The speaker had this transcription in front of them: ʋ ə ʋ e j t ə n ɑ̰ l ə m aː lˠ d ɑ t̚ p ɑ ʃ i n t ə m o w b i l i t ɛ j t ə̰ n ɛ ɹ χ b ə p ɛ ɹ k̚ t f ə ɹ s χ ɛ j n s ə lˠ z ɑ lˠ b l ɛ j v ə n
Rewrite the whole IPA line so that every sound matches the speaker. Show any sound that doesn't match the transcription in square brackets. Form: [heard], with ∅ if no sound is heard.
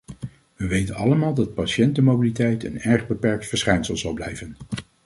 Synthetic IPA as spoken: ʋ ə ʋ e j t ə n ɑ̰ l ə m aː lˠ d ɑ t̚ p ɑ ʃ [ɛ] n t ə m o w b i l i t ɛ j t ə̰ n ɛ ɹ χ b ə p ɛ ɹ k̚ t f ə ɹ s χ ɛ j n s ə lˠ z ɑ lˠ b l ɛ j v ə n